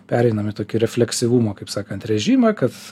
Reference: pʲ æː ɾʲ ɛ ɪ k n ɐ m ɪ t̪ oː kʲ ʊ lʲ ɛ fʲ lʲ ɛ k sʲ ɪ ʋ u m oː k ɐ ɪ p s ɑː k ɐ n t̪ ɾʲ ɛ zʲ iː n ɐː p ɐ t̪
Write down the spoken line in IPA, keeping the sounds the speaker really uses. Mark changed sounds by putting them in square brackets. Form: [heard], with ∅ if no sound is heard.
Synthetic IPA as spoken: pʲ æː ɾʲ ɛ ɪ [∅] n ɐ m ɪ t̪ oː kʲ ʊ [ɾʲ] ɛ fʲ lʲ ɛ k sʲ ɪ ʋ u m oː k ɐ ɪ p s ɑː k ɐ n t̪ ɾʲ ɛ [ʒʲ] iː [m] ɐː [k] ɐ t̪